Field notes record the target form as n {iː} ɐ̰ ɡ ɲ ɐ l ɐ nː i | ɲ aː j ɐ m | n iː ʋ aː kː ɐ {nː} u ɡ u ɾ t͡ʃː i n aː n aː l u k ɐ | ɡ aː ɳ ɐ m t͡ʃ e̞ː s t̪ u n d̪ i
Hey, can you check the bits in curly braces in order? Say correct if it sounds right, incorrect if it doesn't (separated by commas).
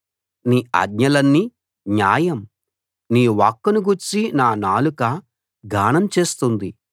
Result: correct, incorrect